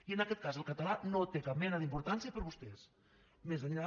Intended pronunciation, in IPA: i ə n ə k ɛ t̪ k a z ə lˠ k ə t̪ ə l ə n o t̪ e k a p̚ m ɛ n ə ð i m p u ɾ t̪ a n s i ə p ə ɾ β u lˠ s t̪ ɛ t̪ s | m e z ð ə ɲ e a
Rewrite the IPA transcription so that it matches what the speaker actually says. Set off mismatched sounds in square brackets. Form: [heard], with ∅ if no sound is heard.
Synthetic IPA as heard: i ə n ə k ɛ t̪ k a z ə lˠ k ə t̪ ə l [a] n o t̪ e k a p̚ m ɛ n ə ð i m p u ɾ t̪ a n s i ə p ə ɾ β u [∅] s t̪ ɛ [∅] s | m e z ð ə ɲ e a